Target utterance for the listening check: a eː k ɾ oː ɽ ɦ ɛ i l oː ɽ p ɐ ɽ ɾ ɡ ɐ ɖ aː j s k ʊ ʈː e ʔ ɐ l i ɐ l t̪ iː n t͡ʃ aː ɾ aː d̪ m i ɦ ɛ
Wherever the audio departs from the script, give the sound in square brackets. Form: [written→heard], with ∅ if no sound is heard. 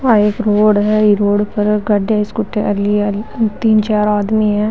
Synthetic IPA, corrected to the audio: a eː k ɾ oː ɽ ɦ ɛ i [l→ɾ] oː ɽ p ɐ [ɽ→∅] ɾ ɡ ɐ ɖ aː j s k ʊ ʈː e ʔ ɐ l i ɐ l t̪ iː n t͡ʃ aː ɾ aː d̪ m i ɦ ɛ